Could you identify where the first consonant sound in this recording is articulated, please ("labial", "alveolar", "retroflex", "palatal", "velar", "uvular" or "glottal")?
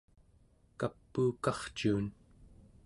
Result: velar